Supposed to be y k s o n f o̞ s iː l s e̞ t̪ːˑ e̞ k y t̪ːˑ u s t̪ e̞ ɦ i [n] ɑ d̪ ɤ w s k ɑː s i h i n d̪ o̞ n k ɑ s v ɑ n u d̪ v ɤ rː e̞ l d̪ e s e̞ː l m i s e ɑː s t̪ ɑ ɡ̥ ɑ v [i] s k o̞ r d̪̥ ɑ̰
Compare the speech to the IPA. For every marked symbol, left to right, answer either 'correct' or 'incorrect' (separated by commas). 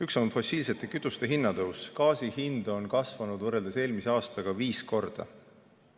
incorrect, incorrect